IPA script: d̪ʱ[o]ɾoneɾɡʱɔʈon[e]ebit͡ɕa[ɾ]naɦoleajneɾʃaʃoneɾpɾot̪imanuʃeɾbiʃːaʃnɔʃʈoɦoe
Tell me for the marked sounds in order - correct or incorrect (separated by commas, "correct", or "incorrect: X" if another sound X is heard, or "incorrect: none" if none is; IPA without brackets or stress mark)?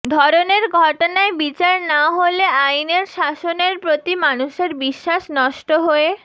incorrect: ɔ, incorrect: a, correct